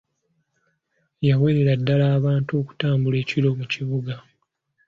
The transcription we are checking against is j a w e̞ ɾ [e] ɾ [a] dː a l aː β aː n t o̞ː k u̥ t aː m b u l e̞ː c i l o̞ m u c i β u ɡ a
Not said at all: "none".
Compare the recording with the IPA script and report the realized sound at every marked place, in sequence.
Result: e, a

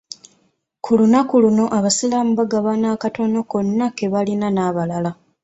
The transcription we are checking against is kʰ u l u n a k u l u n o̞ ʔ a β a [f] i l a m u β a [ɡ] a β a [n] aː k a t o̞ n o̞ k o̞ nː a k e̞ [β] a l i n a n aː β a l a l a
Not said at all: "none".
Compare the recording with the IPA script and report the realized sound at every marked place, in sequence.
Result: s, ɡ, n, β

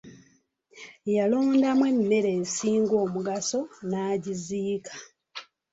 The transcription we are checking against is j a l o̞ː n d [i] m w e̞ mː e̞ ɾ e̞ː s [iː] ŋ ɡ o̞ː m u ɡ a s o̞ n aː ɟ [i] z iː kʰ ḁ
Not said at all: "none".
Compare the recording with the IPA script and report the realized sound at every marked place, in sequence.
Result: a, iː, i

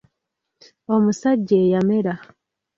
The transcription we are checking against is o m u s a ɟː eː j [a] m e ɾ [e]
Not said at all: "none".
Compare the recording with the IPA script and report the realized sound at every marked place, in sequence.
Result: a, a

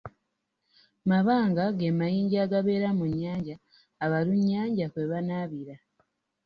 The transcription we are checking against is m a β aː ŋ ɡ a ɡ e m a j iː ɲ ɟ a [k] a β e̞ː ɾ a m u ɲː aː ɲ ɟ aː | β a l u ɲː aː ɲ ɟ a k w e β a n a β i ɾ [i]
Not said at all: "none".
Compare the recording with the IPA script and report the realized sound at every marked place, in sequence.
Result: ɡ, a

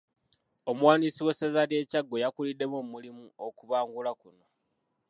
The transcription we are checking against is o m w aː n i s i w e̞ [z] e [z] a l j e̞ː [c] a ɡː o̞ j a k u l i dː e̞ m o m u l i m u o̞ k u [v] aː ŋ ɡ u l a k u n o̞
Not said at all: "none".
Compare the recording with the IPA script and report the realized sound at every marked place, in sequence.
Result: s, z, c, β

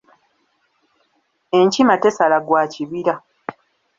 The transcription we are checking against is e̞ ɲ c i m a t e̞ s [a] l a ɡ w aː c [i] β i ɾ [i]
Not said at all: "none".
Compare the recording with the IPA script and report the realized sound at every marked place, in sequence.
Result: a, i, a

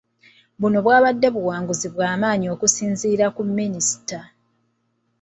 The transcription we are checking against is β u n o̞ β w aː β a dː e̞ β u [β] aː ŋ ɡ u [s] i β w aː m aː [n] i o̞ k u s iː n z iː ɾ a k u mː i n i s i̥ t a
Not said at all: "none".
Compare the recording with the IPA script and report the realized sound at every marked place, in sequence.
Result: w, z, ɲ

